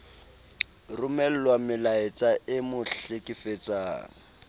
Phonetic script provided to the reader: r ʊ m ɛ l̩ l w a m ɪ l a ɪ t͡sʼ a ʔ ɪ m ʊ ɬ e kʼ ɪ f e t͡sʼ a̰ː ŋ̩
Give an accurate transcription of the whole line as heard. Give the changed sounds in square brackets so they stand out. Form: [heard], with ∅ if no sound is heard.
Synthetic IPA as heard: r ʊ m ɛ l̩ l w a m ɪ l a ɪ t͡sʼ a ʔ ɪ m ʊ ɬ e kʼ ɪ f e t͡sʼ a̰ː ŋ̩